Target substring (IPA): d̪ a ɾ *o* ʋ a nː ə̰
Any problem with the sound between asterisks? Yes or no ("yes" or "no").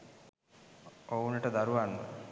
yes